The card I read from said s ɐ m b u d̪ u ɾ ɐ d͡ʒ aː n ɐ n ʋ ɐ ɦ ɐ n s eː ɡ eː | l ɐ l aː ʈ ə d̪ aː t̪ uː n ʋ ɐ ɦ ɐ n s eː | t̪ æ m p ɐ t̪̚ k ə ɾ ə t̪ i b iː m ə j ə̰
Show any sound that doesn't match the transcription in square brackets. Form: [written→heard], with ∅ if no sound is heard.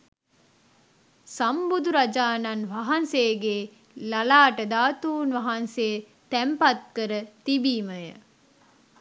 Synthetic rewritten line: s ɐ m b u d̪ u ɾ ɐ d͡ʒ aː n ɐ n ʋ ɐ ɦ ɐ n s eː ɡ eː | l ɐ l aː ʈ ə d̪ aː t̪ uː n ʋ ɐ ɦ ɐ n s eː | t̪ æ m p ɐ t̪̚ k ə ɾ ə t̪ i b iː m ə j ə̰